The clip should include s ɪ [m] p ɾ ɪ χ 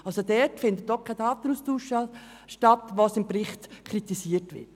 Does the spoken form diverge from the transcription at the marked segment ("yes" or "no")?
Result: no